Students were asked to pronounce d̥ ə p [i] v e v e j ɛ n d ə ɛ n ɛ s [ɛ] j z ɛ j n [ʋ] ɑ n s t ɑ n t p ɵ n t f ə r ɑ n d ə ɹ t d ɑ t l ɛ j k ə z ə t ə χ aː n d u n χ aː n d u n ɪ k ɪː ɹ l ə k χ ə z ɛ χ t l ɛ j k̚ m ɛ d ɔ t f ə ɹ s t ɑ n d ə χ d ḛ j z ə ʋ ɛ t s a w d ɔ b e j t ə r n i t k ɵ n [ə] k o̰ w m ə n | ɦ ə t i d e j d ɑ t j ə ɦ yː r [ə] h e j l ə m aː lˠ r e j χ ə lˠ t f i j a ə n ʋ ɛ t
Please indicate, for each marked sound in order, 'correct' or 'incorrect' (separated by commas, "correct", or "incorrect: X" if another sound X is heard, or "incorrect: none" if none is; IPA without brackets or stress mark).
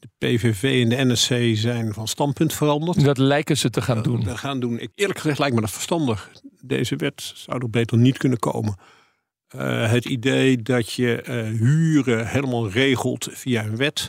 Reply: incorrect: e, incorrect: e, incorrect: v, correct, correct